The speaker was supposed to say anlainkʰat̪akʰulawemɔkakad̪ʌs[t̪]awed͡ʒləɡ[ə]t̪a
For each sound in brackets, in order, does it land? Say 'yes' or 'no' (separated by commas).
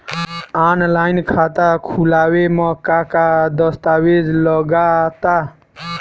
yes, no